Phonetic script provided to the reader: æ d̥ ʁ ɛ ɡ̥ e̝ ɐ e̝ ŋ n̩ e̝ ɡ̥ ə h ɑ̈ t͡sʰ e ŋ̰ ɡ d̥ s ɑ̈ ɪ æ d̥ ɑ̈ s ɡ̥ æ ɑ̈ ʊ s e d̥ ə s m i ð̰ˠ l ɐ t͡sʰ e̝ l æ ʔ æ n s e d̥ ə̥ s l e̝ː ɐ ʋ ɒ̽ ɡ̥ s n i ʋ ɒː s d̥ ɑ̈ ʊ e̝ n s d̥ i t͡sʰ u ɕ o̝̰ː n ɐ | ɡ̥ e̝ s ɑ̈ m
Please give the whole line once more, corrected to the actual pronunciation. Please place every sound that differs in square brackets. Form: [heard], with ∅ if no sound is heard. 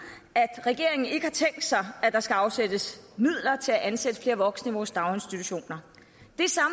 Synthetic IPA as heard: æ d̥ ʁ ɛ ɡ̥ e̝ ɐ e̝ ŋ n̩ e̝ ɡ̥ ə h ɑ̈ t͡sʰ e ŋ̰ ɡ d̥ s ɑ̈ ɪ æ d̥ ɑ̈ s ɡ̥ æ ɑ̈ ʊ s e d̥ ə s m i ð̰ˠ l ɐ t͡sʰ e̝ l æ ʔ æ n s e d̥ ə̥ [f] l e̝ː ɐ ʋ ɒ̽ ɡ̥ s n i ʋ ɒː s d̥ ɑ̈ ʊ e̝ n s d̥ i t͡sʰ u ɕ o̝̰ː n ɐ | [d̥] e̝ s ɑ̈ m